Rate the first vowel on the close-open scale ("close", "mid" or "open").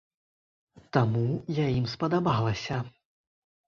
open